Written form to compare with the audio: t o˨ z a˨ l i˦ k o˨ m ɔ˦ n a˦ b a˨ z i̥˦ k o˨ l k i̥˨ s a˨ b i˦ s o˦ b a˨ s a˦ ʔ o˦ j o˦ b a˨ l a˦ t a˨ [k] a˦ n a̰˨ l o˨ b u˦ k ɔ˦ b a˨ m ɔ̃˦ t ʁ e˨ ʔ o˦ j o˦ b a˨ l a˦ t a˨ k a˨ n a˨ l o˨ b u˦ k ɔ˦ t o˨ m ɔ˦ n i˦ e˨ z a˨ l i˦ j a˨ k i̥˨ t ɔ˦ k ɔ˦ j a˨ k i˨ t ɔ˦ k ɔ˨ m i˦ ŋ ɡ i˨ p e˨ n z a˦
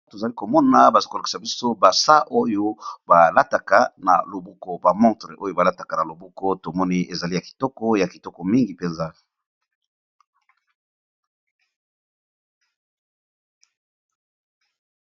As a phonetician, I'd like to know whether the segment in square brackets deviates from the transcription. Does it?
no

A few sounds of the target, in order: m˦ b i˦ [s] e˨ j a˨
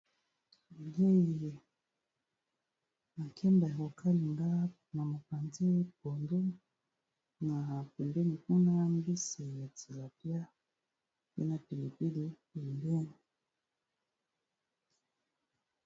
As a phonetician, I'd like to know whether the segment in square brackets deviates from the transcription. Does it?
no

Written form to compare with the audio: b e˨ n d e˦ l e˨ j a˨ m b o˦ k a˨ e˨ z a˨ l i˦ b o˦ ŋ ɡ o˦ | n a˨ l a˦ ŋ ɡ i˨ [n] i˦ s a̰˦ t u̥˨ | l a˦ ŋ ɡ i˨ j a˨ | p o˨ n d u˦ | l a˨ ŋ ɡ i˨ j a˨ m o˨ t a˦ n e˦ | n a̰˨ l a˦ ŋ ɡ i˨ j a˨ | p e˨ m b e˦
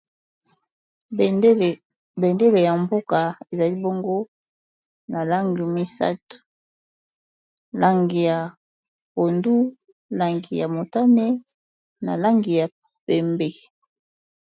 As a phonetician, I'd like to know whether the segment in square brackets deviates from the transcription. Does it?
yes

